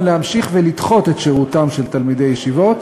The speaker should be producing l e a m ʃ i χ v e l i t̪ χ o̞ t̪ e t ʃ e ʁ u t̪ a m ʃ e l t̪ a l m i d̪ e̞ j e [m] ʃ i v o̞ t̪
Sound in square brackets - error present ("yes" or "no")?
yes